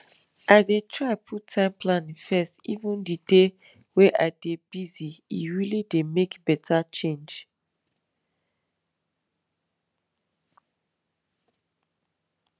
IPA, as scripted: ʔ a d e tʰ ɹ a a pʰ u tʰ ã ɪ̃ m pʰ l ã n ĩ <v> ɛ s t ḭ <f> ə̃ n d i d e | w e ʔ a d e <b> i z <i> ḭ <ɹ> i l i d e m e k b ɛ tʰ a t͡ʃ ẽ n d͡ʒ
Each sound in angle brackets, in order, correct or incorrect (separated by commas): incorrect, incorrect, correct, correct, correct